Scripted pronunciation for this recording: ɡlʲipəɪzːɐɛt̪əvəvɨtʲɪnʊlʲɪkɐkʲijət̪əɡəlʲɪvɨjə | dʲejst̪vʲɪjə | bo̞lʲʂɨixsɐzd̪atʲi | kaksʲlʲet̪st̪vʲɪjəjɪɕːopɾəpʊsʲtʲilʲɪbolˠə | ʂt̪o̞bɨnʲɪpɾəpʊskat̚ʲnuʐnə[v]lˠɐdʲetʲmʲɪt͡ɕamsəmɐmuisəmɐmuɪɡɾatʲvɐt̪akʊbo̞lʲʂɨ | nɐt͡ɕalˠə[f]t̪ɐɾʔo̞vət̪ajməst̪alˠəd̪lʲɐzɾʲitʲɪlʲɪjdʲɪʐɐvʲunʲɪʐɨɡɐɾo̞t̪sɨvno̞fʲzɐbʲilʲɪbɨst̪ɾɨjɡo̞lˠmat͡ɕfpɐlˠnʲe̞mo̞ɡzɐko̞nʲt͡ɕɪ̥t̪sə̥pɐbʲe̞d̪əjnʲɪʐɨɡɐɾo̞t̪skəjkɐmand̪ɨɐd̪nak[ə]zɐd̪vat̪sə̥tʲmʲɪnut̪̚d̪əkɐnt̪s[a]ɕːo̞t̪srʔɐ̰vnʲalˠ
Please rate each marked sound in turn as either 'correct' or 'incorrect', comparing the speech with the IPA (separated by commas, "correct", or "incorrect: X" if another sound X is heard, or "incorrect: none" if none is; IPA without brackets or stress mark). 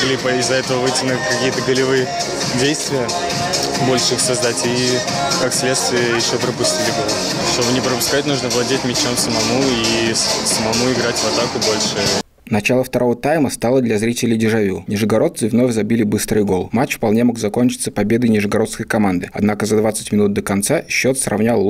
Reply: correct, correct, correct, correct